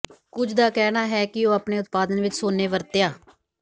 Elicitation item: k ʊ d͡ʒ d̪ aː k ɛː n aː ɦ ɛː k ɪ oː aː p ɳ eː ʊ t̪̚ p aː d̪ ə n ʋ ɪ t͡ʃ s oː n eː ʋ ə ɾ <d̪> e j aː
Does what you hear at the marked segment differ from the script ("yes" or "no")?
yes